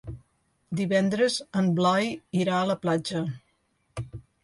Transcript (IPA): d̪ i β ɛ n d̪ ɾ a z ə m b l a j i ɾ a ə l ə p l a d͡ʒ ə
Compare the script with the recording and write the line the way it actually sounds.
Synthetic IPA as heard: d̪ i β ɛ n d̪ ɾ ə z ə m b l a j i ɾ a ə l ə p l a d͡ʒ ə